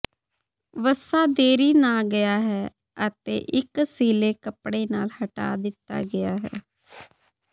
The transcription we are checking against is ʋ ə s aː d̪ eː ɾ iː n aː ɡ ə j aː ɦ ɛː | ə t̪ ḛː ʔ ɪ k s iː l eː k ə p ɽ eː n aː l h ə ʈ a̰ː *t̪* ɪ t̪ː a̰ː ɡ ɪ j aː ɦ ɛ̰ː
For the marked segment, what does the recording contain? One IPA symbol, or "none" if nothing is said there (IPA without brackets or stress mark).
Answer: d̪